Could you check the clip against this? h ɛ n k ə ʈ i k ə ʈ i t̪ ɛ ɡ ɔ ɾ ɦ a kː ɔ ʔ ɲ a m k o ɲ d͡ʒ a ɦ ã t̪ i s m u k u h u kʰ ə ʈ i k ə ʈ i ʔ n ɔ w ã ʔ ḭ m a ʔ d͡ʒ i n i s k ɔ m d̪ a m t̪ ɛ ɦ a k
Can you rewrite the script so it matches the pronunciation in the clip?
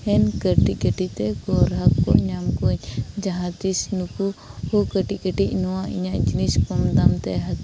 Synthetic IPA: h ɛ n k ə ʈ i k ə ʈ i t̪ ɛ ɡ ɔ ɾ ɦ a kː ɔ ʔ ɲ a m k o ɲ d͡ʒ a ɦ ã t̪ i s n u k u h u k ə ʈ i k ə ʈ i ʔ n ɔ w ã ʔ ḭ ɲ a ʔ d͡ʒ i n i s k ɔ m d̪ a m t̪ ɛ ɦ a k